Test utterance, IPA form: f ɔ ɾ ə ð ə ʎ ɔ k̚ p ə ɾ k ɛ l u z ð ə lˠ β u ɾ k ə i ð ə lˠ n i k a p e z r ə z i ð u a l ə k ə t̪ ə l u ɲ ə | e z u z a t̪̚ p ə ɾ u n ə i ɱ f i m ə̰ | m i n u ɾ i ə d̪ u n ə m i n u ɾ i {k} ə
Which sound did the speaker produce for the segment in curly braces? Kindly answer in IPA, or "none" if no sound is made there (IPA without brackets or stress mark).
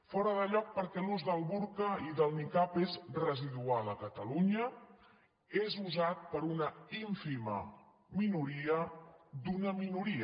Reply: none